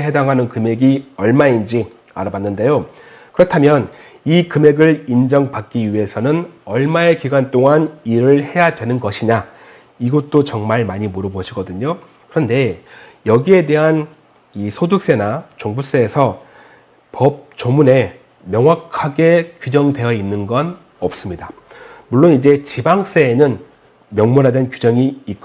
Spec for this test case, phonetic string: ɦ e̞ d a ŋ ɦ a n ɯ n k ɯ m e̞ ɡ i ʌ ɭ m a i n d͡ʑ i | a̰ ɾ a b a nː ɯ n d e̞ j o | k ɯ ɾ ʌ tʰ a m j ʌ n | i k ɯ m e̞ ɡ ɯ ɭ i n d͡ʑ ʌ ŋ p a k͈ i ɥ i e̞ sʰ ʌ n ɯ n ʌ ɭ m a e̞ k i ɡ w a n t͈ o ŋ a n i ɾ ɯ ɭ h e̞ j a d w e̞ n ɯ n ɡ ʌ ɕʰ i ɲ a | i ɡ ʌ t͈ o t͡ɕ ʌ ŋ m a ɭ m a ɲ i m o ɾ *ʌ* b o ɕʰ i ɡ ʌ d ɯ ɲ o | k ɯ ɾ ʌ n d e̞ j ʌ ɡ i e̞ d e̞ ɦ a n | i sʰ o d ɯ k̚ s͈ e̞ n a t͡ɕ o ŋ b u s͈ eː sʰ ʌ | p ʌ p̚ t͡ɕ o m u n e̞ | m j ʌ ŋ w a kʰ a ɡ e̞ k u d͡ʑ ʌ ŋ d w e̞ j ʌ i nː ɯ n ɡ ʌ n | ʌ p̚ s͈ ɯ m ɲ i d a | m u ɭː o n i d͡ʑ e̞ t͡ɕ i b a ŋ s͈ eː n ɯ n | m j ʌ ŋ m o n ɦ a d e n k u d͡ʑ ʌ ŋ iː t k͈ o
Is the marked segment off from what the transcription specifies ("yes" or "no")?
no